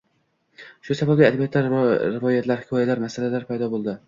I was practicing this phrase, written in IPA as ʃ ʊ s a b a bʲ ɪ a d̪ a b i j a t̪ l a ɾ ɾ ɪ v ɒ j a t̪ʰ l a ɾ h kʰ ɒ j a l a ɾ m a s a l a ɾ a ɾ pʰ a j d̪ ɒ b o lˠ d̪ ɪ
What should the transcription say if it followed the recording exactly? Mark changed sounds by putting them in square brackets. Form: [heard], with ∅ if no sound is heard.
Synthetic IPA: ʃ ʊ s a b a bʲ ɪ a d̪ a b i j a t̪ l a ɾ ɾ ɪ v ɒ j a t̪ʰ l a ɾ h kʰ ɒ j a l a ɾ m a s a l a [l] a ɾ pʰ a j d̪ ɒ b o lˠ d̪ ɪ